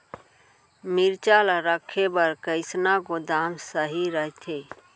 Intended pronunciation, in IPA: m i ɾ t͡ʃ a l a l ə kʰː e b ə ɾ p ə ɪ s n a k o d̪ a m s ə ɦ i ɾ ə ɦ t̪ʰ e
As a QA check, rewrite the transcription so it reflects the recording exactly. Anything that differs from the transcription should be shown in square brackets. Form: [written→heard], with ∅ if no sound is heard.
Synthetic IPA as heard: m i ɾ t͡ʃ a l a [l→ɾ] ə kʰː e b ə ɾ [p→k] ə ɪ s n a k o d̪ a m s ə ɦ i ɾ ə ɦ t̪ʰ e